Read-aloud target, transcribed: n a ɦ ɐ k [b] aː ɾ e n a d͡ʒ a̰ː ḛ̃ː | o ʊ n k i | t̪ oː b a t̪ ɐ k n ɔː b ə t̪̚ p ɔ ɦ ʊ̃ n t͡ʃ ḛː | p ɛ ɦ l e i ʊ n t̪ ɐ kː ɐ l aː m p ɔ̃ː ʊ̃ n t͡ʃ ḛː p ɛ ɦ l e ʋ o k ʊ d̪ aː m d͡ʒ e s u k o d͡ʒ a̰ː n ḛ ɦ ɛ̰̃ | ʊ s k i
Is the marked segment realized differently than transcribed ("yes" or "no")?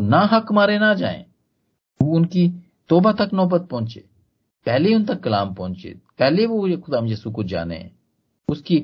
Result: yes